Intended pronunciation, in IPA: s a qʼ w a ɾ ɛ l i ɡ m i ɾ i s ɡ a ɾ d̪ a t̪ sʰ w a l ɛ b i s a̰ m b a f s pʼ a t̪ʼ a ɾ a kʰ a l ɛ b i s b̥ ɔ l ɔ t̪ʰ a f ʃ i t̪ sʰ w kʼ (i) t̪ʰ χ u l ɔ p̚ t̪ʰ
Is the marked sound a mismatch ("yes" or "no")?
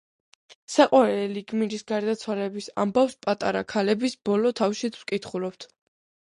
no